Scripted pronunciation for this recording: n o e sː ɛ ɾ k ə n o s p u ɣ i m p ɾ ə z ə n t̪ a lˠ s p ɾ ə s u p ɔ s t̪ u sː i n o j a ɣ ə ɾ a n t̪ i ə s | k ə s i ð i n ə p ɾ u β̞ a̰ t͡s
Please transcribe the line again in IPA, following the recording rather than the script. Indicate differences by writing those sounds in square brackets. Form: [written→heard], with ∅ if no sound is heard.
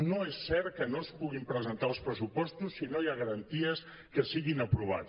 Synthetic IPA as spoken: n o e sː ɛ ɾ k ə n o s p u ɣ i m p ɾ ə z ə n t̪ a lˠ s p ɾ ə s u p ɔ s t̪ u sː i n o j a ɣ ə ɾ [a→ə] n t̪ i ə s | k ə s i [ð→ɣ] i n ə p ɾ u β̞ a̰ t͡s